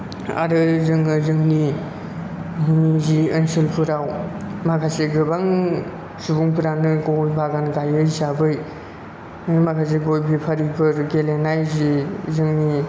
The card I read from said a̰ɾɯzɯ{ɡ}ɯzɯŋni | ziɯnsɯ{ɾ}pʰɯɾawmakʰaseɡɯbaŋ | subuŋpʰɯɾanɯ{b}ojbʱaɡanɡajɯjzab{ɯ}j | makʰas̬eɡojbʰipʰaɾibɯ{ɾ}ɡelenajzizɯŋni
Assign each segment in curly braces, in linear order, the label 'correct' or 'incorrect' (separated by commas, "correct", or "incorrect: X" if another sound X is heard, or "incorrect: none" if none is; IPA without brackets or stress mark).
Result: incorrect: ŋ, incorrect: l, incorrect: ɡ, correct, correct